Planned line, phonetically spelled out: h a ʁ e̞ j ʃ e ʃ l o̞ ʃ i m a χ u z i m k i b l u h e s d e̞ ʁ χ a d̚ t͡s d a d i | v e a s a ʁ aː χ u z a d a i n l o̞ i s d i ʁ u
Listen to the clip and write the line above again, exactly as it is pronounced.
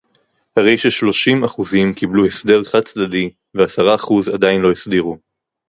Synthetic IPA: h a ʁ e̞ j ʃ e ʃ l o̞ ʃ i m a χ u z i m k i b l u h e s d e̞ ʁ χ a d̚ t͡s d a d i | v e a s a ʁ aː χ u z a d a i n l o̞ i s d i ʁ u